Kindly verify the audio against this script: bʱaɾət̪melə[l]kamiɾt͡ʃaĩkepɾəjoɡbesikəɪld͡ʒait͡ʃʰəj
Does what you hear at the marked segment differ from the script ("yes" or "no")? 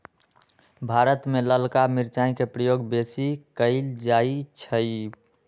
no